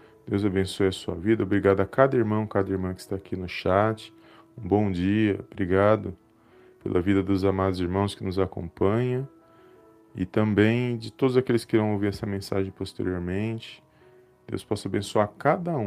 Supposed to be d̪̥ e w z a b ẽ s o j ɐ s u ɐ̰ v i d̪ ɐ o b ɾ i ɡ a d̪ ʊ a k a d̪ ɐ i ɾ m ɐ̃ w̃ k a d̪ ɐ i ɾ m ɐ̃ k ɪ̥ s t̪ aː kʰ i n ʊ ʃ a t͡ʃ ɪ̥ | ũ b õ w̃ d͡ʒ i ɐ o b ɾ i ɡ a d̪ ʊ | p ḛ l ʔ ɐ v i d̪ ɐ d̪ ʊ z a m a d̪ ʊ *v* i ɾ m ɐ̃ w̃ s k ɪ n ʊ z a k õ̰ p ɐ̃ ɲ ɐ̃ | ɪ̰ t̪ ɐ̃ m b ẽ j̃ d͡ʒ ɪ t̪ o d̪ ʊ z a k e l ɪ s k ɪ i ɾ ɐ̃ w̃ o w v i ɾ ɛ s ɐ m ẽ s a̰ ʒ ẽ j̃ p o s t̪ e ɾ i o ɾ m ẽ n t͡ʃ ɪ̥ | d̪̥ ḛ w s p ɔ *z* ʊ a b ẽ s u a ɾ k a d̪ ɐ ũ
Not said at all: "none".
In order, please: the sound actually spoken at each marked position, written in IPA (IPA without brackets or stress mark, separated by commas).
z, s